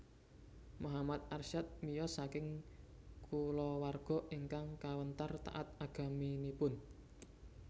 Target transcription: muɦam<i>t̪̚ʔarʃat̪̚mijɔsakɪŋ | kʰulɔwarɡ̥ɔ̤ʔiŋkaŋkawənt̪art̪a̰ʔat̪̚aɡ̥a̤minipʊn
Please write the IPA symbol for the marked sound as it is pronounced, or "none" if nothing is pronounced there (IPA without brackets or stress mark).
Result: a